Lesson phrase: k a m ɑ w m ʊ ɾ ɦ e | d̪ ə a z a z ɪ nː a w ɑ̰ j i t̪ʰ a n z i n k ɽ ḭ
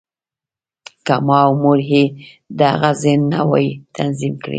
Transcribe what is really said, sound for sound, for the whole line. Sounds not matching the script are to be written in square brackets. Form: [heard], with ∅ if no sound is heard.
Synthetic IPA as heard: k a m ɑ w m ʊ ɾ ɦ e | d̪ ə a [ɣ] a z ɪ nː a w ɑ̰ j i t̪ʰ a n z i [m] k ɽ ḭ